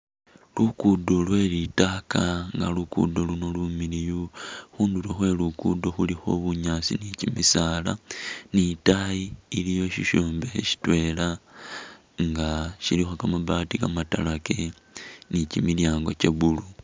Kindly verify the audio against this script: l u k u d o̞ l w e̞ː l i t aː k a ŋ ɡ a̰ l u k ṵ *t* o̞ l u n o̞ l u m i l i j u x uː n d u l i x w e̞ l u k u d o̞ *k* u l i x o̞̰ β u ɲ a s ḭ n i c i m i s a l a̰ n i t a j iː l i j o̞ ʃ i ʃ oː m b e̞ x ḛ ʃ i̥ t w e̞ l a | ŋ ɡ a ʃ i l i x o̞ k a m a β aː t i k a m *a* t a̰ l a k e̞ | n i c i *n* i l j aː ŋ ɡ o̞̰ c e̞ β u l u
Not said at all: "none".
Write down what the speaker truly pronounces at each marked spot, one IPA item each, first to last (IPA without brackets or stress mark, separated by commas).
d, x, a, m